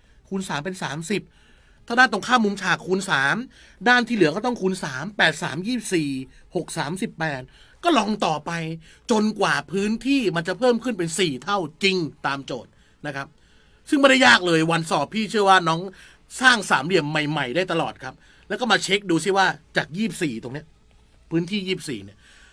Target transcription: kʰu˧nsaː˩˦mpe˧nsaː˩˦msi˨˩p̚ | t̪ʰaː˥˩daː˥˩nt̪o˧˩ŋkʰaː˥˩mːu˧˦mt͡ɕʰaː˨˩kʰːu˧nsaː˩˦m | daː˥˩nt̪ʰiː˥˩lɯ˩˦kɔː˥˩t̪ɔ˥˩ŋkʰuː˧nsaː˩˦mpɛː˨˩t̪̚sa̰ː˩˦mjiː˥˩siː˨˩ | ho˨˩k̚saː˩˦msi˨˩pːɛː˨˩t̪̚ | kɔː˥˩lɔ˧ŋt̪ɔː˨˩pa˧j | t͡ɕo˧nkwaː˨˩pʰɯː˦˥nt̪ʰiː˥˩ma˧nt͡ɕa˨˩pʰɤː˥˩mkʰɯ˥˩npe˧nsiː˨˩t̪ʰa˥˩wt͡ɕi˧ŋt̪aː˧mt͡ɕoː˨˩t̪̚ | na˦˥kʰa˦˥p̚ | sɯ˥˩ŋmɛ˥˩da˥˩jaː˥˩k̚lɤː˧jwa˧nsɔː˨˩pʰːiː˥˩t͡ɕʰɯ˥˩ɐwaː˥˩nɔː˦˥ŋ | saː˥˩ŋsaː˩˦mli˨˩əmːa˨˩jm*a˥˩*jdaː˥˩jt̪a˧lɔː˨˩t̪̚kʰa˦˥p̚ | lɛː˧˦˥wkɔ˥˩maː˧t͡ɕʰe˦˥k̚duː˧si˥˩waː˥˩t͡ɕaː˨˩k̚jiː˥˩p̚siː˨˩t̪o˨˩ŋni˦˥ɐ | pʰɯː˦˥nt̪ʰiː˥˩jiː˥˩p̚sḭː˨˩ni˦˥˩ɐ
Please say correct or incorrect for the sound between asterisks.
incorrect